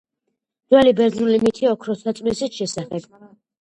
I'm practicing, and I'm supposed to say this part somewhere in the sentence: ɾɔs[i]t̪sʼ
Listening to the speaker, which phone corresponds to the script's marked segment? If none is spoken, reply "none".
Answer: a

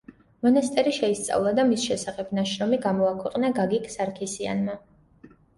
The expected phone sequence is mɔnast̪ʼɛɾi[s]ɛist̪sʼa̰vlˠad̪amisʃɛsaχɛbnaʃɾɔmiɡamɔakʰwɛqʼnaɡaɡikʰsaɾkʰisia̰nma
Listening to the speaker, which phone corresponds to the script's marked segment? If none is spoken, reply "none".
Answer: ʃ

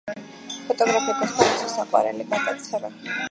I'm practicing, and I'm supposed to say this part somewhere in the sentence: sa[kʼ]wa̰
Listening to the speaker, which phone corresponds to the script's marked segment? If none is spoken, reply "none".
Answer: qʼ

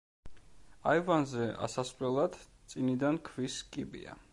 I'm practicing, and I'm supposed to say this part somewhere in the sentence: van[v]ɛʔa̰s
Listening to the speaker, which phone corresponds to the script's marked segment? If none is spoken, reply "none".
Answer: z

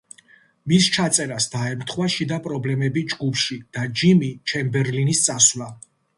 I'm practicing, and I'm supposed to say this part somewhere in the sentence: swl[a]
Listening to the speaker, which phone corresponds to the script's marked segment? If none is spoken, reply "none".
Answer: a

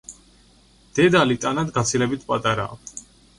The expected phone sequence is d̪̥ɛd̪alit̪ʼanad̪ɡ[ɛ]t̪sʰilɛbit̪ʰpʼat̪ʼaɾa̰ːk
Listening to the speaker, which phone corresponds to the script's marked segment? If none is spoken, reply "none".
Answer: a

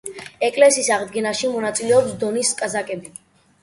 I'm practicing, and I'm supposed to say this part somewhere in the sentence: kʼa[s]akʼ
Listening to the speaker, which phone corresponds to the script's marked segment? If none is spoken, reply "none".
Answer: z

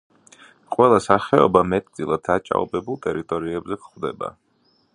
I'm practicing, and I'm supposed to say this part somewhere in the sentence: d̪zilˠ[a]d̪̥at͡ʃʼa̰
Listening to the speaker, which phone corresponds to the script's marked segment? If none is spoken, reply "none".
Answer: a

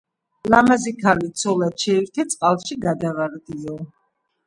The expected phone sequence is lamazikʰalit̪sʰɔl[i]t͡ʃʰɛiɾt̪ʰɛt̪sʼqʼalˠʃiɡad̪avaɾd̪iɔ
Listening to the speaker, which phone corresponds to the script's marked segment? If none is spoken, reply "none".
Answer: a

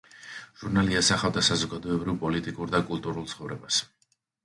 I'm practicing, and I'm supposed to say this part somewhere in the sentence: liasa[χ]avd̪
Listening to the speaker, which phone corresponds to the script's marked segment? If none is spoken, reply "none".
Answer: χ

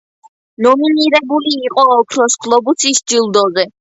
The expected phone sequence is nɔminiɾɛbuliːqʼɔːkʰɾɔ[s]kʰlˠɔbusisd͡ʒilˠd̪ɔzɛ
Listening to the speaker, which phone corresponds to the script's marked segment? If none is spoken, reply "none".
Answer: s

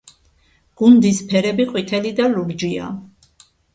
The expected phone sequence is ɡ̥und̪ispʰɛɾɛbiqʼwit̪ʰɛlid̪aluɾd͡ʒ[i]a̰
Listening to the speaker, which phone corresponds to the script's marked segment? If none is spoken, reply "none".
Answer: i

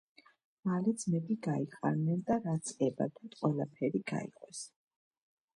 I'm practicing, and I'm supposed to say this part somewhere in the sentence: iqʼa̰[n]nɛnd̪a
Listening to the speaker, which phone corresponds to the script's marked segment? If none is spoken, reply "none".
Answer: n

